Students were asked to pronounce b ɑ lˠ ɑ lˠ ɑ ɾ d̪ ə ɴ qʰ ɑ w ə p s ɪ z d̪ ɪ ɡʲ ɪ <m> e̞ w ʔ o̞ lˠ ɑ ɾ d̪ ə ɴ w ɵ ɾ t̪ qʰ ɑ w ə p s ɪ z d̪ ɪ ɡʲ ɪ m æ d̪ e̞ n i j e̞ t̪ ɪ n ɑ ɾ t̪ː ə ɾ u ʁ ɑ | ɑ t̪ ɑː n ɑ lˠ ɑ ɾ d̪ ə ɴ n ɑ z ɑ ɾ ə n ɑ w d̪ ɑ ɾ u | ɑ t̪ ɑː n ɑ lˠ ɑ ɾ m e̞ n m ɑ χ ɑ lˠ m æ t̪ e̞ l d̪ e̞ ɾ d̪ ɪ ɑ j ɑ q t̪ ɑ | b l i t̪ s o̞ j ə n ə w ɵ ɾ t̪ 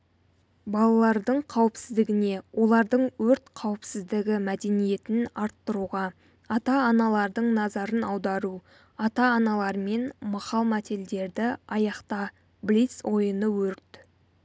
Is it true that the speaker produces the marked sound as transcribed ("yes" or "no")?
no